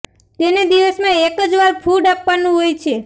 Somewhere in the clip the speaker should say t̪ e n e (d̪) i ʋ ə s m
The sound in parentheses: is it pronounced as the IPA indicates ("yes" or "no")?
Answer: yes